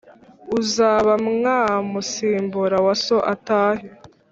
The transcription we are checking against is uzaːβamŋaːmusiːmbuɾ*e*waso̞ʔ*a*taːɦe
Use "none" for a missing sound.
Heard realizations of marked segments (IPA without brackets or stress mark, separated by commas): a, a